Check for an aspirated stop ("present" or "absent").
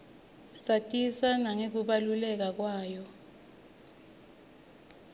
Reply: absent